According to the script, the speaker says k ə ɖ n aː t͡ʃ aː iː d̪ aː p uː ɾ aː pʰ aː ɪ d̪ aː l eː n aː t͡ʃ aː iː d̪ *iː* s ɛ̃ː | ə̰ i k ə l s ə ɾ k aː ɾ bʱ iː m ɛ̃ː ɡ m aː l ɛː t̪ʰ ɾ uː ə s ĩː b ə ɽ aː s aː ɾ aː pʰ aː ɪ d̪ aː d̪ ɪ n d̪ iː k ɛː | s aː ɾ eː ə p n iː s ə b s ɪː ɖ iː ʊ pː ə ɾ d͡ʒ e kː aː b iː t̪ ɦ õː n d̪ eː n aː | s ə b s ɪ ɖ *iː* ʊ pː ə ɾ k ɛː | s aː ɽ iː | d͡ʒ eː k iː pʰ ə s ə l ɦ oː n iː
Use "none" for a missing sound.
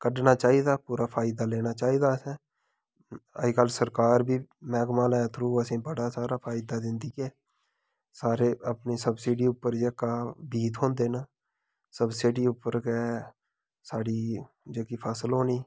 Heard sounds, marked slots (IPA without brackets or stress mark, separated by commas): aː, iː